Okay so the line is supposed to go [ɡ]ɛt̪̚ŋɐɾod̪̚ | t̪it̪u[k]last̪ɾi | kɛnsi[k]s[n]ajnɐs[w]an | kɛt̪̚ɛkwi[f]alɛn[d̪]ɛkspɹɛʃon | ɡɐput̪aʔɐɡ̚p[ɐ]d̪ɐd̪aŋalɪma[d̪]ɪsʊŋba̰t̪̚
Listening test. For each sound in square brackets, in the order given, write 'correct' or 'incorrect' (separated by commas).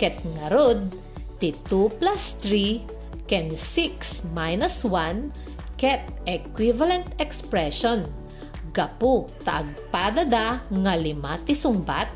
incorrect, incorrect, correct, incorrect, correct, incorrect, incorrect, incorrect, incorrect